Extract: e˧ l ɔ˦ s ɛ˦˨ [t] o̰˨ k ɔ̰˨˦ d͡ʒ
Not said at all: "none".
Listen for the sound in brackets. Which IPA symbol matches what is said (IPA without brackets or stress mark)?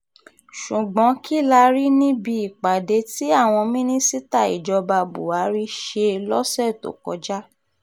t